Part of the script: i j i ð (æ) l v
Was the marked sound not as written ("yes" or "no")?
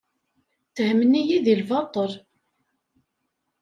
yes